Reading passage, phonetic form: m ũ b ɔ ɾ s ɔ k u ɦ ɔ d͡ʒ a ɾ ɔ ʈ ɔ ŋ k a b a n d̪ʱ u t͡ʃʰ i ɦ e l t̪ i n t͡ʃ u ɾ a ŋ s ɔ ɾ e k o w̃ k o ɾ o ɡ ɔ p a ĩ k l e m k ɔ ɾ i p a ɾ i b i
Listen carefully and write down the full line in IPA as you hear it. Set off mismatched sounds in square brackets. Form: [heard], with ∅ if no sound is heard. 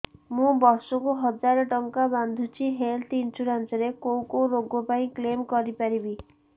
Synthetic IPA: m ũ b ɔ ɾ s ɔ k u ɦ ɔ d͡ʒ a ɾ ɔ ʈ ɔ ŋ k a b a n d̪ʱ u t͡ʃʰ i ɦ e l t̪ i n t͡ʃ u ɾ a [n] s ɔ ɾ e k o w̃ k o ɾ o ɡ ɔ p a ĩ k l e m k ɔ ɾ i p a ɾ i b i